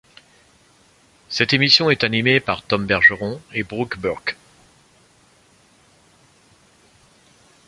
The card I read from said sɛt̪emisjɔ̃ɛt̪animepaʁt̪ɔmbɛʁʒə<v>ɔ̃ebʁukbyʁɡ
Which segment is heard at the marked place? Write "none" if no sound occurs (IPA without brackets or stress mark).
ʁ